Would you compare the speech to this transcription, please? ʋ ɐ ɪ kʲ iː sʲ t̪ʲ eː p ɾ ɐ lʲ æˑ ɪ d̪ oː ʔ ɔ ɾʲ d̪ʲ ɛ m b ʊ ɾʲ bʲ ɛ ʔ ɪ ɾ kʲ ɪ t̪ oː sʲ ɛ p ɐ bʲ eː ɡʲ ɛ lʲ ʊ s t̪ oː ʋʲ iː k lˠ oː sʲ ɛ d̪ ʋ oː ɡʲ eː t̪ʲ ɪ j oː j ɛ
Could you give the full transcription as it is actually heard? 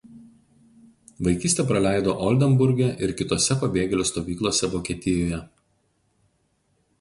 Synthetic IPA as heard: ʋ ɐ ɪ kʲ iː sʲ t̪ʲ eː p ɾ ɐ lʲ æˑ ɪ d̪ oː ʔ ɔ lʲ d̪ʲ ɛ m b ʊ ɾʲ ɡʲ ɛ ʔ ɪ ɾ kʲ ɪ t̪ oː sʲ ɛ p ɐ bʲ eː ɡʲ ɛ lʲ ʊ s t̪ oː ʋʲ iː k lˠ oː sʲ ɛ ʋ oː kʲ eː t̪ʲ ɪ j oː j ɛ

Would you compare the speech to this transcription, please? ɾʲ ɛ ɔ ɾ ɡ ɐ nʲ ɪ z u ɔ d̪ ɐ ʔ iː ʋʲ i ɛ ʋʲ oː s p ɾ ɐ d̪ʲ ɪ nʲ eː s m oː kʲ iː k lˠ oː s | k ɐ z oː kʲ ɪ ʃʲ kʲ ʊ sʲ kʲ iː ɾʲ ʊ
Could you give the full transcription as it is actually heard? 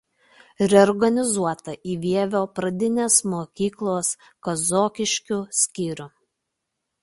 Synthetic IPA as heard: ɾʲ ɛ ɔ ɾ ɡ ɐ nʲ ɪ z u ɔ t̪ ɐ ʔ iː ʋʲ i ɛ ʋʲ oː p ɾ ɐ d̪ʲ ɪ nʲ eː s m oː kʲ iː k lˠ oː s | k ɐ z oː kʲ ɪ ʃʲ kʲ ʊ sʲ kʲ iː ɾʲ ʊ

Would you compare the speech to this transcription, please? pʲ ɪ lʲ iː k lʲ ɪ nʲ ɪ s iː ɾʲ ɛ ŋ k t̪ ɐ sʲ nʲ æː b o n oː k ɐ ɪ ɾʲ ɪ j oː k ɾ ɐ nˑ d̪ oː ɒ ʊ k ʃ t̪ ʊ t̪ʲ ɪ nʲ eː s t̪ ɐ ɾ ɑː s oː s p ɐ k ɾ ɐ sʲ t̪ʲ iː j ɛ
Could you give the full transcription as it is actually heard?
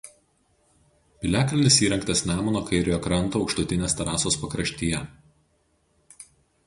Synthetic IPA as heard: pʲ ɪ lʲ æː k lʲ ɪ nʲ ɪ s iː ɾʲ ɛ ŋ k t̪ ɐ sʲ nʲ æː m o n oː k ɐ ɪ ɾʲ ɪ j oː k ɾ ɐ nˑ t̪ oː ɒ ʊ k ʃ t̪ ʊ t̪ʲ ɪ nʲ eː s t̪ ɐ ɾ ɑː s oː s p ɐ k ɾ ɐ ʃʲ t̪ʲ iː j ɛ

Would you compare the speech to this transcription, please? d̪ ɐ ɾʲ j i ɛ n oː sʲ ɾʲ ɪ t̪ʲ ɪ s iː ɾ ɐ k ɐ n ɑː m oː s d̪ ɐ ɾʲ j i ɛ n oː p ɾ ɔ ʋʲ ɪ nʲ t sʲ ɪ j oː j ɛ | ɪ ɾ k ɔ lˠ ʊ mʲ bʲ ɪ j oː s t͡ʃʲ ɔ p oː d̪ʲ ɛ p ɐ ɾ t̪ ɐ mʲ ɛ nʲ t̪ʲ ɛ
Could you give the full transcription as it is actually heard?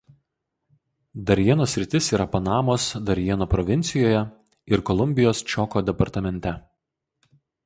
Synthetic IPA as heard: d̪ ɐ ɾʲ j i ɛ n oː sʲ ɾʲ ɪ t̪ʲ ɪ s iː ɾ ɐ p ɐ n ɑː m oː s d̪ ɐ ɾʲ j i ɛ n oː p ɾ ɔ ʋʲ ɪ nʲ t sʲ ɪ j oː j ɛ | ɪ ɾ k ɔ lˠ ʊ mʲ bʲ ɪ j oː s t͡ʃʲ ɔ k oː d̪ʲ ɛ p ɐ ɾ t̪ ɐ mʲ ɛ nʲ t̪ʲ ɛ

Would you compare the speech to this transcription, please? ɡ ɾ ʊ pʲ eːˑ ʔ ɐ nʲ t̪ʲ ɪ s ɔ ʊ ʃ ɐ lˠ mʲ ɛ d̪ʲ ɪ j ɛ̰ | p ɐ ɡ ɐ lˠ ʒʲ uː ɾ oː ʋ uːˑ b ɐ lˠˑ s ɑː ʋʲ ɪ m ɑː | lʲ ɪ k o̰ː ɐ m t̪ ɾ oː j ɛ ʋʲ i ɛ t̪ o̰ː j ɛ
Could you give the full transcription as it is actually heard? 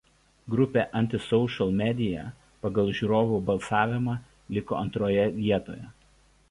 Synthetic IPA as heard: ɡ ɾ ʊ pʲ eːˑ ʔ ɐ nʲ t̪ʲ ɪ s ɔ ʊ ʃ ɐ lˠ mʲ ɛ d̪ʲ ɪ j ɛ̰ | p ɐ ɡ ɐ lˠ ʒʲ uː ɾ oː ʋ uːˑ b ɐ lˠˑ s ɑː ʋʲ ɪ m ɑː | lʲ ɪ k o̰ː ɐ n t̪ ɾ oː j ɛ ʋʲ i ɛ t̪ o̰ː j ɛ

